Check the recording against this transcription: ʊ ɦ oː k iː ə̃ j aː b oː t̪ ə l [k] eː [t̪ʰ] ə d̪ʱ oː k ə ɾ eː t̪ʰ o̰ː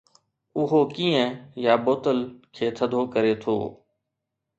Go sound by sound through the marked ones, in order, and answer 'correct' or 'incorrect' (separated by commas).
incorrect, correct